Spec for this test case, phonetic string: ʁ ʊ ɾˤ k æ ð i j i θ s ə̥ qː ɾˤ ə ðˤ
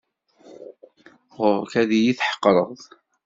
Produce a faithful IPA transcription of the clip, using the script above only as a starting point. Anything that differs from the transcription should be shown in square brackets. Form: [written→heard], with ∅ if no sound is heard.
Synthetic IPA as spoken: ʁ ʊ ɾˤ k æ ð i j i θ [s→ħ] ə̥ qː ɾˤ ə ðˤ